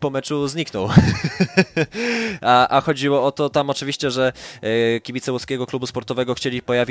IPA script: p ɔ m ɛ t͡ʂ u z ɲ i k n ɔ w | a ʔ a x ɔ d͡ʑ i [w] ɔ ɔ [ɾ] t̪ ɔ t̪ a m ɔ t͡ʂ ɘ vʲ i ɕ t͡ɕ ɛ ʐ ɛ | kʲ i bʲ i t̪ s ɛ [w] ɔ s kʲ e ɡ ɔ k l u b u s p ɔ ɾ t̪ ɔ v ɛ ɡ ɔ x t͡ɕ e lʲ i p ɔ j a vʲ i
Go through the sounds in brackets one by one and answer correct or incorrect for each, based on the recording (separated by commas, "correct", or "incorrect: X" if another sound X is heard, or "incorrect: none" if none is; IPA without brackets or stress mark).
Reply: correct, incorrect: none, correct